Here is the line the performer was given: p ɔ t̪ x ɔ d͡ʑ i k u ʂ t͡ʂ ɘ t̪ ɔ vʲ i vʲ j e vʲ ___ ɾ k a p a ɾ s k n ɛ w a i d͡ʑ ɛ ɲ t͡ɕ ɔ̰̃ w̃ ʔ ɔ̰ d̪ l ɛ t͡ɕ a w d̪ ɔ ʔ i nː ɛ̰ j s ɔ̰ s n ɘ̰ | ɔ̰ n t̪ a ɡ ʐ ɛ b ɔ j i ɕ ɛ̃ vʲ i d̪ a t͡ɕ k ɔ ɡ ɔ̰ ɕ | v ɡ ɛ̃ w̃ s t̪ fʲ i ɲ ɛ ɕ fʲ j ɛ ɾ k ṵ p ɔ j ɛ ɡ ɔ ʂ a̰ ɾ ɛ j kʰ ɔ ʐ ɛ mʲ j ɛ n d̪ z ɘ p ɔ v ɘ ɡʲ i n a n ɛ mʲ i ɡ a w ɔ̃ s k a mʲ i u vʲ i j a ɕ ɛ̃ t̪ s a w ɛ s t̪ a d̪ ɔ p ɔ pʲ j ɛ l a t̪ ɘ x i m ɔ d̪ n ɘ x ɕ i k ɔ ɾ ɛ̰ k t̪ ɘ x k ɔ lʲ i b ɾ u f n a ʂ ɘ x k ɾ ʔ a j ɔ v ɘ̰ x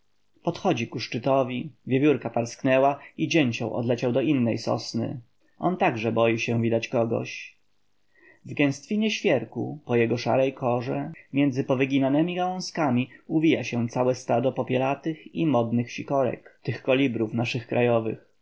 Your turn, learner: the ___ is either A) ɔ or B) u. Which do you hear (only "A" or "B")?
B